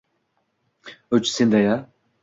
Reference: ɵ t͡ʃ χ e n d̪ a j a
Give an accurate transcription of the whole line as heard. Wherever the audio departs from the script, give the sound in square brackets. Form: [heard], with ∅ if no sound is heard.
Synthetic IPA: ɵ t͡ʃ [s] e n d̪ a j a